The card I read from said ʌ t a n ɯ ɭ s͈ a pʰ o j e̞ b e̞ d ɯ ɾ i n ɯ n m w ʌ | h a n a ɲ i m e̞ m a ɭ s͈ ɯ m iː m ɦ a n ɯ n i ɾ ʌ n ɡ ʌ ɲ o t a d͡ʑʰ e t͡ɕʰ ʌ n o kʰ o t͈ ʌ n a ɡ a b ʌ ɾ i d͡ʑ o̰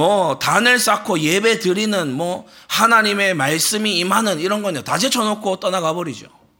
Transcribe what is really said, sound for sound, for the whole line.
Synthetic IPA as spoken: ʌ t a n ɯ ɭ s͈ a kʰ o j e̞ b e̞ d ɯ ɾ i n ɯ n m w ʌ | h a n a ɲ i m e̞ m a ɭ s͈ ɯ m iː m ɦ a n ɯ n i ɾ ʌ n ɡ ʌ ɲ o t a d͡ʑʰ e t͡ɕʰ ʌ n o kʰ o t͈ ʌ n a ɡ a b ʌ ɾ i d͡ʑ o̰